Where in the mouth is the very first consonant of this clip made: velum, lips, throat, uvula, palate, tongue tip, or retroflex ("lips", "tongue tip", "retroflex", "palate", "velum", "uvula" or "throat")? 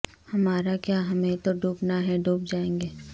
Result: throat